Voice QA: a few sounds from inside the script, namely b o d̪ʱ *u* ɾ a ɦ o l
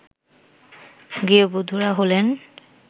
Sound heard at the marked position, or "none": u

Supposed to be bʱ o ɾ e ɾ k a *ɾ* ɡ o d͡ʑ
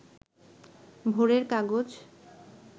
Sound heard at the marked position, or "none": none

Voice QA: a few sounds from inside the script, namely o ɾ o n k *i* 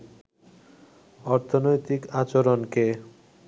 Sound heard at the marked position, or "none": e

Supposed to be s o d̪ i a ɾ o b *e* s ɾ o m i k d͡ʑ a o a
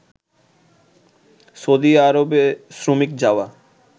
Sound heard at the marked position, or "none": e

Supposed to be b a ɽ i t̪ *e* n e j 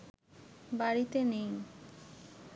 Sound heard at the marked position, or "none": e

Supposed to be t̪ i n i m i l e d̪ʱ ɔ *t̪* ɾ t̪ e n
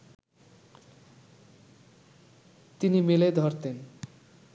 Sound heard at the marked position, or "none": none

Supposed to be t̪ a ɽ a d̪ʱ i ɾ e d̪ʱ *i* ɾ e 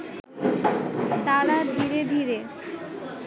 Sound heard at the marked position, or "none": i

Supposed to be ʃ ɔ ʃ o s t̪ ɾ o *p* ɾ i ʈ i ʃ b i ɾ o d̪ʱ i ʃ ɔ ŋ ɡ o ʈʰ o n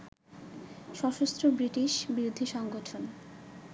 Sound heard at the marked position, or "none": b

